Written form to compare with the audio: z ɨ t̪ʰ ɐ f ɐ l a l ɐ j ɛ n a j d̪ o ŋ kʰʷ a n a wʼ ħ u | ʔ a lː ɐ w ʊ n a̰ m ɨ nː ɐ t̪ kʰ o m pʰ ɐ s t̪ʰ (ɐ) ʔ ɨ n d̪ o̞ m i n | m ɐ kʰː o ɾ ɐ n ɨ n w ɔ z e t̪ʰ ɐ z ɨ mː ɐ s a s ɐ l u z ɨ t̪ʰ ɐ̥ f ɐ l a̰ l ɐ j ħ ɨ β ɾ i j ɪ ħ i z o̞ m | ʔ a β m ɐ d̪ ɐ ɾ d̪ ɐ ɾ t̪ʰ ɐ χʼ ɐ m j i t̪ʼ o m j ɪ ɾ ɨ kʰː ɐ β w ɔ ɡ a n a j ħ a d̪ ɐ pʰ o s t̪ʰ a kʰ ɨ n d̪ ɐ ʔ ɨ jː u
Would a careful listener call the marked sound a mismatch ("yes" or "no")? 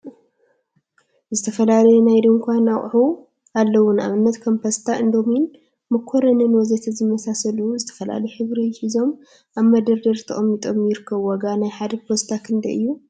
yes